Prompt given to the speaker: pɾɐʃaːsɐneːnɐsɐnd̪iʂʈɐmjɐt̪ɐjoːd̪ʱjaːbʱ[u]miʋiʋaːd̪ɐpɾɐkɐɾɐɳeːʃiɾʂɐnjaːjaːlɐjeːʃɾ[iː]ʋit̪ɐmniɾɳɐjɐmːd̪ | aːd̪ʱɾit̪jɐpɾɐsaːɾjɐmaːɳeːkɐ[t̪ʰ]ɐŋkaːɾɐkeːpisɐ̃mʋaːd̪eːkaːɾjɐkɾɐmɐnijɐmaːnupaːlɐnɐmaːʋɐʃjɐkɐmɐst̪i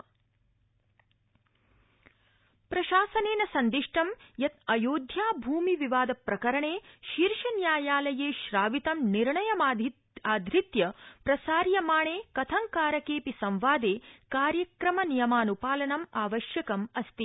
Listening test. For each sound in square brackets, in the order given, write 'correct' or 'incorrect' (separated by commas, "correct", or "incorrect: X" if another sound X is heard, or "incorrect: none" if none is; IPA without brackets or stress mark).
incorrect: uː, incorrect: aː, correct